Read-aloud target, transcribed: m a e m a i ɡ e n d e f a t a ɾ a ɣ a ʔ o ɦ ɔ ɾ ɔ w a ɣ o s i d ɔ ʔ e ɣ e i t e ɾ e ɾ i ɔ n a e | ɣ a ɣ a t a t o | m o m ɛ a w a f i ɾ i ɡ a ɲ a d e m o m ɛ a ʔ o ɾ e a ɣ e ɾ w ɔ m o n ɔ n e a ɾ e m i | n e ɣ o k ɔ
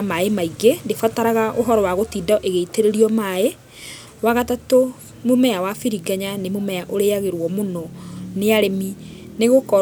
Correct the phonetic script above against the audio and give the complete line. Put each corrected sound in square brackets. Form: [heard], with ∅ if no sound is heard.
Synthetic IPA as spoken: m a e m a i ɡ e n d e f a t a ɾ a ɣ a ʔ o ɦ ɔ ɾ ɔ w a ɣ o [t] i d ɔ ʔ e ɣ e i t e ɾ e ɾ i ɔ [m] a e | [w] a ɣ a t a t o | m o m ɛ a w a f i ɾ i ɡ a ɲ a [n] e m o m ɛ a ʔ o ɾ e a ɣ e ɾ w ɔ m o n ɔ n e a ɾ e m i | n e ɣ o k ɔ